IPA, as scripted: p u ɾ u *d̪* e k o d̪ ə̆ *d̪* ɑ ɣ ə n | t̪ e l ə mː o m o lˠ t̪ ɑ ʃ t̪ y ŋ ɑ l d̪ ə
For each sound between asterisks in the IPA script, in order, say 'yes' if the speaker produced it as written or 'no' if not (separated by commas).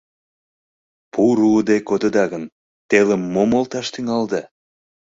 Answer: yes, yes